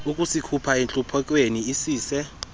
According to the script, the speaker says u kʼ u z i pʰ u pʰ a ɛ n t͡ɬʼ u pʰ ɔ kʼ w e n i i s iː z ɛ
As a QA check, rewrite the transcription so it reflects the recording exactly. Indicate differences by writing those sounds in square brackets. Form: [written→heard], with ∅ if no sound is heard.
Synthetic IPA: u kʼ u [z→s] i [pʰ→kʰ] u pʰ a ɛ n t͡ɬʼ u pʰ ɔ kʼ w e n i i s iː [z→s] ɛ